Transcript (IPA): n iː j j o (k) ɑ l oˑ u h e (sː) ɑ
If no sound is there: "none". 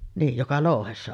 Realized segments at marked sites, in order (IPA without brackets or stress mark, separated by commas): k, sː